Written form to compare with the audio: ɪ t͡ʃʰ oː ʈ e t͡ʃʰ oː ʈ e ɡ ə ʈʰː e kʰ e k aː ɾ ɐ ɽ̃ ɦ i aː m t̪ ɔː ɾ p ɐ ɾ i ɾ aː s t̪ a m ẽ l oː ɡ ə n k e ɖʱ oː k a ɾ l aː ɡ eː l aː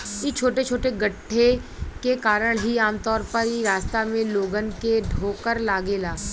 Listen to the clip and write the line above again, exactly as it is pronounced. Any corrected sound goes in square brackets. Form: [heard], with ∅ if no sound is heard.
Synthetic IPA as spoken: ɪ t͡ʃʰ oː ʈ e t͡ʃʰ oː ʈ e ɡ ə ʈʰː e [k] e k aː ɾ [ə] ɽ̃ ɦ i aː m t̪ ɔː ɾ p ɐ ɾ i ɾ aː s t̪ a m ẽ l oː ɡ ə n k e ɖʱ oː k [ə] ɾ l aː ɡ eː l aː

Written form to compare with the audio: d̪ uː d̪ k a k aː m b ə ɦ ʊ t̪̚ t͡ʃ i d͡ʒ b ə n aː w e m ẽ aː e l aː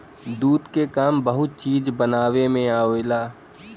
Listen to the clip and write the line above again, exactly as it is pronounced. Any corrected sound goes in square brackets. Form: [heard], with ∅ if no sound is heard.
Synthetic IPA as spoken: d̪ uː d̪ k [e] k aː m b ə ɦ ʊ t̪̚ t͡ʃ [iː] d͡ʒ b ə n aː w e m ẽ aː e l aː

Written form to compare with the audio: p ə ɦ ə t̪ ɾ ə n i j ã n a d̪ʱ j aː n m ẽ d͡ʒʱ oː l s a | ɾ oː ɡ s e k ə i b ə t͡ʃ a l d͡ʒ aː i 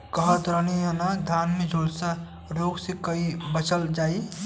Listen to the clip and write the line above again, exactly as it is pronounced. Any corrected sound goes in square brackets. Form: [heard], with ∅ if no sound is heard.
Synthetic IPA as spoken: [k] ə ɦ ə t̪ ɾ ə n i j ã n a d̪ʱ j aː n m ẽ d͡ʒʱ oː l s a | ɾ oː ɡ s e k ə i b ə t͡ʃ [ə] l d͡ʒ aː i

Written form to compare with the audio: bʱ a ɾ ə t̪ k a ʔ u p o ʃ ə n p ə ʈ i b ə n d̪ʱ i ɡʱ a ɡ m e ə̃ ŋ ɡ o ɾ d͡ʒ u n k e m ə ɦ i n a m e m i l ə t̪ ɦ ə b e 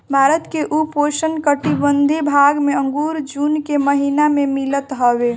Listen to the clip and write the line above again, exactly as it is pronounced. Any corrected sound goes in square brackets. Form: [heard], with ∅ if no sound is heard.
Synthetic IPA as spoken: bʱ a ɾ ə t̪ k [e] ʔ u p o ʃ ə n [k] ə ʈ i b ə n d̪ʱ i [bʱ] a ɡ m e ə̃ ŋ ɡ [u] ɾ d͡ʒ u n k e m ə ɦ i n a m e m i l ə t̪ ɦ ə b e

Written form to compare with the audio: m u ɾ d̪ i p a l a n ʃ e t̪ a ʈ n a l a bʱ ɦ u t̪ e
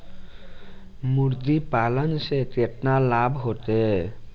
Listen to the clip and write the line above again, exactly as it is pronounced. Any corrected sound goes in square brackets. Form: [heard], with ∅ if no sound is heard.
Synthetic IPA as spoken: m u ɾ d̪ i p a l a n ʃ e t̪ [e] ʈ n a l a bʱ ɦ [o] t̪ e

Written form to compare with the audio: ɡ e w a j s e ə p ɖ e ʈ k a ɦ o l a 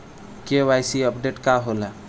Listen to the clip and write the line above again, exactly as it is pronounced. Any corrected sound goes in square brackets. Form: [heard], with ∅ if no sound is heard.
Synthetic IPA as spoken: [k] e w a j s [i] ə p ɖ e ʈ k a ɦ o l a

